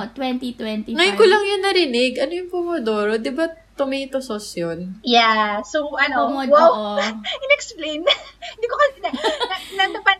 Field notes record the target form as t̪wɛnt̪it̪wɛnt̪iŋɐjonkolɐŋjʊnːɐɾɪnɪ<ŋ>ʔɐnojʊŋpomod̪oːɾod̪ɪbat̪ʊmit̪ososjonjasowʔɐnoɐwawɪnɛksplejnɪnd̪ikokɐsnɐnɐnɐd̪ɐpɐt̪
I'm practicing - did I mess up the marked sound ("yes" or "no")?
yes